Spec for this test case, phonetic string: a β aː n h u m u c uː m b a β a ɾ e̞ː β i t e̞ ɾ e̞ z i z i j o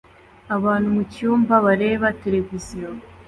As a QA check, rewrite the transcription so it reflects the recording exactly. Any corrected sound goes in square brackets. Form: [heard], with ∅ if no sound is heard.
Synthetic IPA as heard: a β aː n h u m u c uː m b a β a ɾ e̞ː β [a] t e̞ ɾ e̞ [v] i z i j o